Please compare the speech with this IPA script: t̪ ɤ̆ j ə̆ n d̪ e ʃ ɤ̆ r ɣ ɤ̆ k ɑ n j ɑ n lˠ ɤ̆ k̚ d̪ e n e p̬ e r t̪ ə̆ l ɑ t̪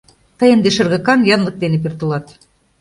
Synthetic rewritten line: t̪ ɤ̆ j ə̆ n d̪ e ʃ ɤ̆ r ɣ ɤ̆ k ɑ n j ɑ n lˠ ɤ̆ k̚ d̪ e n e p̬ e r t̪ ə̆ l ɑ t̪